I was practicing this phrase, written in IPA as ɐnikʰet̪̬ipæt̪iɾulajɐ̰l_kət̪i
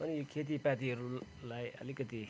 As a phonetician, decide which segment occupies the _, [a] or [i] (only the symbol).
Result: i